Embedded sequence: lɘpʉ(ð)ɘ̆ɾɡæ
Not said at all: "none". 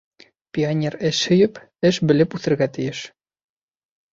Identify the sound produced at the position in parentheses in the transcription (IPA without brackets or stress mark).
θ